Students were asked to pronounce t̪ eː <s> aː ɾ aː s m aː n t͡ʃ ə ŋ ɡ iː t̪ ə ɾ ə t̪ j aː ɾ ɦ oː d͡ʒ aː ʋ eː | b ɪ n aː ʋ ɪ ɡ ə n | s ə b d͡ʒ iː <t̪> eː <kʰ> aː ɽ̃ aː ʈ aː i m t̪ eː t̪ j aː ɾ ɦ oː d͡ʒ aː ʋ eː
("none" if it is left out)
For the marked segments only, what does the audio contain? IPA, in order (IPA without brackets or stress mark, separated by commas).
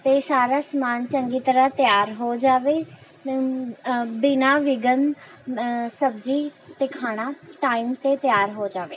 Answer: s, t̪, kʰ